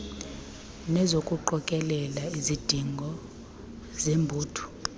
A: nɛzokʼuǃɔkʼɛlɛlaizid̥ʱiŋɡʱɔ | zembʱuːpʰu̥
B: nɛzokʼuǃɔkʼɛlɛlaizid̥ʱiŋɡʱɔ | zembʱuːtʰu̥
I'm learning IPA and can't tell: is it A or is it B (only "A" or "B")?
B